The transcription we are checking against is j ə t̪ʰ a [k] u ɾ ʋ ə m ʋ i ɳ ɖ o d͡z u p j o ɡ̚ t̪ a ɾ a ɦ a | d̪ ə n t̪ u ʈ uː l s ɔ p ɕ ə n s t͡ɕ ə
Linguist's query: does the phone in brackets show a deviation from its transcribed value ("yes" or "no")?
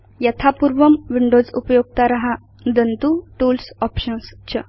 yes